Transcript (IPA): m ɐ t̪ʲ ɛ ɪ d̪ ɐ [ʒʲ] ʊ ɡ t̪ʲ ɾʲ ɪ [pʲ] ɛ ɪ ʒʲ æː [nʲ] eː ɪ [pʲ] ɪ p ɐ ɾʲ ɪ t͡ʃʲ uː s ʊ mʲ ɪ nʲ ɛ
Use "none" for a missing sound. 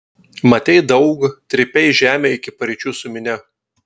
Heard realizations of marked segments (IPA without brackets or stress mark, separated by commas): none, pʲ, mʲ, kʲ